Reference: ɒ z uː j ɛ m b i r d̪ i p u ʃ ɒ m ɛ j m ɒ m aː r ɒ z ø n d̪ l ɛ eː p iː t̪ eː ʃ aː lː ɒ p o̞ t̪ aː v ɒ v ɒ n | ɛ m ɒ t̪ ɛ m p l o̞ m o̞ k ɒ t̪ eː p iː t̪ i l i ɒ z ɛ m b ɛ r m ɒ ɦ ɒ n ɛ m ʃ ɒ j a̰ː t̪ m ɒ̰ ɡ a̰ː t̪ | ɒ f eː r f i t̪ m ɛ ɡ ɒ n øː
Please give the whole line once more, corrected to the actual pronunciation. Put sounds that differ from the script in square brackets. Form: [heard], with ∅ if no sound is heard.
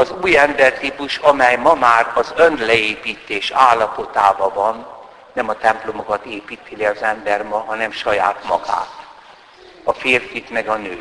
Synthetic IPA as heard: ɒ z uː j ɛ m b [ɛ] r [t̪] i p u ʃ ɒ m ɛ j m ɒ m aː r ɒ z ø n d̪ l ɛ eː p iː t̪ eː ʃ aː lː ɒ p o̞ t̪ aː v ɒ v ɒ [nː] | ɛ m ɒ t̪ ɛ m p l o̞ m o̞ k ɒ t̪ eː p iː t̪ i l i ɒ z ɛ m b ɛ r m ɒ ɦ ɒ n ɛ m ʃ ɒ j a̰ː t̪ m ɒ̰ ɡ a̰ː t̪ | ɒ f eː r f i t̪ m ɛ ɡ ɒ n øː